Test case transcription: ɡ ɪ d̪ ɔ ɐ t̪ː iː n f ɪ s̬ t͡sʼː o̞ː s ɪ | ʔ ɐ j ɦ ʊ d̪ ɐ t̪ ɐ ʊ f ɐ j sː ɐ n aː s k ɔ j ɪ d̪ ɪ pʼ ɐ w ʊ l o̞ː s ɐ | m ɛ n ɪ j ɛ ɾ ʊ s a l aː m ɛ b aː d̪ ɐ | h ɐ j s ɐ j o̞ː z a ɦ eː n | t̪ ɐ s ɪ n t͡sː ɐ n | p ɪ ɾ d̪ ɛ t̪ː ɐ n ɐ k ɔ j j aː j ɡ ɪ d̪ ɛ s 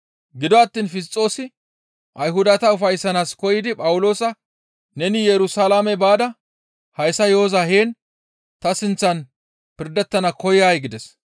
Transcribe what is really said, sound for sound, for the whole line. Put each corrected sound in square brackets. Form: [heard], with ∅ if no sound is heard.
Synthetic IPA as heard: ɡ ɪ d̪ ɔ ɐ t̪ː iː n f ɪ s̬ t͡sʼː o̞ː s ɪ | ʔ ɐ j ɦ ʊ d̪ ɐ t̪ ɐ ʊ f ɐ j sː ɐ n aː s k ɔ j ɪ d̪ ɪ pʼ ɐ w ʊ l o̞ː s ɐ | [n] ɛ n ɪ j ɛ ɾ ʊ s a l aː m ɛ b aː d̪ ɐ | h ɐ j s ɐ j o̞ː z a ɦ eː n | t̪ ɐ s ɪ n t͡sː ɐ n | p ɪ ɾ d̪ ɛ t̪ː ɐ n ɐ k ɔ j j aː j ɡ ɪ d̪ ɛ s